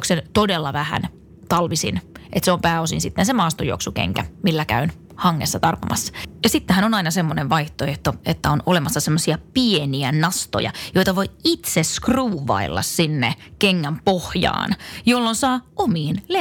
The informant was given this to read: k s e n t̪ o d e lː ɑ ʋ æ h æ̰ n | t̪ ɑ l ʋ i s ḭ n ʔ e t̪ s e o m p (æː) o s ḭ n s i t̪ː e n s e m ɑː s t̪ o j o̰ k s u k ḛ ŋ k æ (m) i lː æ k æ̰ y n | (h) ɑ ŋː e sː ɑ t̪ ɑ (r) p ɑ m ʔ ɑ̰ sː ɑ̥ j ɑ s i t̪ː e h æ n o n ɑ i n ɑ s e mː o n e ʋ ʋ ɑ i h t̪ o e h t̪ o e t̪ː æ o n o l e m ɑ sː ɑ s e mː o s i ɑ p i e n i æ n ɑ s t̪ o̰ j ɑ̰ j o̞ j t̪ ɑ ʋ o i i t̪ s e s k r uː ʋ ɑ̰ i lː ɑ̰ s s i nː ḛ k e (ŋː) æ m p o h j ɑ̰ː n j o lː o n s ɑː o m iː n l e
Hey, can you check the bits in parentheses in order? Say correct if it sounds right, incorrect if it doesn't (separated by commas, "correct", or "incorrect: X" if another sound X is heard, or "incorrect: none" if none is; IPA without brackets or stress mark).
correct, correct, correct, correct, correct